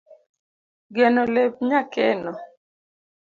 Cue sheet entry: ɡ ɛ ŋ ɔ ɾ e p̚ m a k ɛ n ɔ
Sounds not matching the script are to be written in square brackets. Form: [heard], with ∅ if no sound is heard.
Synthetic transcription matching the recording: ɡ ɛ [n] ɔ [l] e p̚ [ɲ] a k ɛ n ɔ